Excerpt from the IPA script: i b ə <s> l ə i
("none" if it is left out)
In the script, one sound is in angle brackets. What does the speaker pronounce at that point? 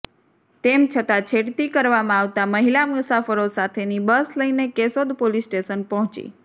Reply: s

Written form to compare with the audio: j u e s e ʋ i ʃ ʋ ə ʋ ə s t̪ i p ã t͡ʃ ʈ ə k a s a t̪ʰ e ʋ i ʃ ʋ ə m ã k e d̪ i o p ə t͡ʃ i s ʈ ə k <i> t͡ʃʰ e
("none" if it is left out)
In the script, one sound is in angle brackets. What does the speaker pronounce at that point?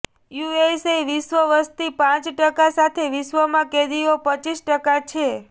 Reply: a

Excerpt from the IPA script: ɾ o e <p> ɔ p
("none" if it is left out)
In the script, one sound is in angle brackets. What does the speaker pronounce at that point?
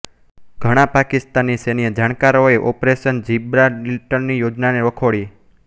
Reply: ʔ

